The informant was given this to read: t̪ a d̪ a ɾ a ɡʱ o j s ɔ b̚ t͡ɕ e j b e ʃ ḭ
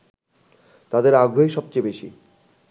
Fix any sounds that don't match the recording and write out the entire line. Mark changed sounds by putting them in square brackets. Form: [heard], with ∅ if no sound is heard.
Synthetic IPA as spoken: t̪ a d̪ [e] ɾ a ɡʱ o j [ʃ] ɔ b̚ t͡ɕ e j b e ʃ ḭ